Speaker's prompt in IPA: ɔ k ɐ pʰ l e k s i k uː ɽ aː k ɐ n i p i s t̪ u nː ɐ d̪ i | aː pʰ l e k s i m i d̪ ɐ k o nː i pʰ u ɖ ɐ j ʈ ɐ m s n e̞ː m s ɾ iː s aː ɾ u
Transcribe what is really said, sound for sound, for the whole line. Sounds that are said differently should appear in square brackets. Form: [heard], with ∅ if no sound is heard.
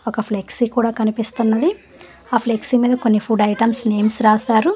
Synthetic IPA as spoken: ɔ k ɐ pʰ l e k s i k uː ɽ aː k ɐ n i p i s t̪ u nː ɐ d̪ i | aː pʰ l e k s i m [iː] d̪ ɐ k o nː i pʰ u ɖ ɐ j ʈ ɐ m s n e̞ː m s ɾ [aː] s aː ɾ u